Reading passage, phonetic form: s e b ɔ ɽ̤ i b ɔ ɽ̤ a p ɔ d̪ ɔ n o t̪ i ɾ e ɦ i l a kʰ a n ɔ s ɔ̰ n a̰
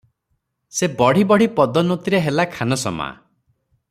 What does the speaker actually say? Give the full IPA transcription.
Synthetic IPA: s e b ɔ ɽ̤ i b ɔ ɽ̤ i p ɔ d̪ ɔ n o t̪ i ɾ e ɦ e l a kʰ a n ɔ s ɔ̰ m a̰